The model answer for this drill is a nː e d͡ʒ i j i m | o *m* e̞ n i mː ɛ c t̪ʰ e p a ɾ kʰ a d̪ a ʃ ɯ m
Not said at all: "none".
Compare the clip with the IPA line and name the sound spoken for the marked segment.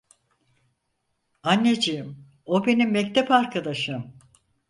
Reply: b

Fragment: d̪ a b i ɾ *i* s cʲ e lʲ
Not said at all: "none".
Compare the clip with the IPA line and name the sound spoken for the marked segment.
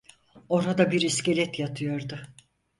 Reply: i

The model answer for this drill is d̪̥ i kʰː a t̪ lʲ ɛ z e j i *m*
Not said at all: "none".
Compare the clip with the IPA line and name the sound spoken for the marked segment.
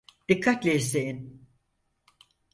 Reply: n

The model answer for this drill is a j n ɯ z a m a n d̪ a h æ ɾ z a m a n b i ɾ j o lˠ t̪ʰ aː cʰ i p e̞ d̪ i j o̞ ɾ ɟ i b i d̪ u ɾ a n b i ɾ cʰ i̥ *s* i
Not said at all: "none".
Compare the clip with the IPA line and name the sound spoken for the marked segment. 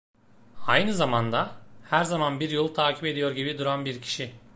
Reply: ʃ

